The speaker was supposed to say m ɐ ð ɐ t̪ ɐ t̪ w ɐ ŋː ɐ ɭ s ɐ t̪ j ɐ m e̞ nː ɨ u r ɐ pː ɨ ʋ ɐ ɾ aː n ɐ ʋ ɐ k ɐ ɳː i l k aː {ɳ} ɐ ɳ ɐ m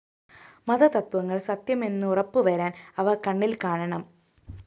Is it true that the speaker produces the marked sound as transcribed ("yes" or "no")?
yes